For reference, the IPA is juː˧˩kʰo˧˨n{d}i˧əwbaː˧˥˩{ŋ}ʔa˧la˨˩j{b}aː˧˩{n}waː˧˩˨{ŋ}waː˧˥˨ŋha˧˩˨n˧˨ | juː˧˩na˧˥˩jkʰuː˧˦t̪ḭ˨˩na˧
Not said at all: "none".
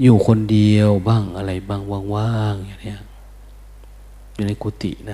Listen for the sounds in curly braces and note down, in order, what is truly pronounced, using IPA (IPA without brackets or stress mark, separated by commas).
d, ŋ, b, ŋ, ŋ